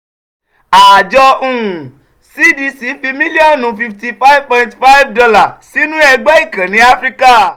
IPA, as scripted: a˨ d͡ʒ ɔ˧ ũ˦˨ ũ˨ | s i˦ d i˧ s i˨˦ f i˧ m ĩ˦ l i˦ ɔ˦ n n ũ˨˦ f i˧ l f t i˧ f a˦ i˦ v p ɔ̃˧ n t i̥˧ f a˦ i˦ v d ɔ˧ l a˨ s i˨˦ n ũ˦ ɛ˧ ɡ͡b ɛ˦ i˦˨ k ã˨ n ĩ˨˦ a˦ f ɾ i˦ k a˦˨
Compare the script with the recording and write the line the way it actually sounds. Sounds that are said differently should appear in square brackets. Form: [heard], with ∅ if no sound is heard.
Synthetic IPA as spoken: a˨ d͡ʒ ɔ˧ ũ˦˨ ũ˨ | s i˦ d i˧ s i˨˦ f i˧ m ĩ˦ l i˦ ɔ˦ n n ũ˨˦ f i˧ [∅] f t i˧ f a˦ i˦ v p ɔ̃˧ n t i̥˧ f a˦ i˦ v d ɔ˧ l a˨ s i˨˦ n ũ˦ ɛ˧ ɡ͡b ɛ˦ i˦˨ k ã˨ n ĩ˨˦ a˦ f ɾ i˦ k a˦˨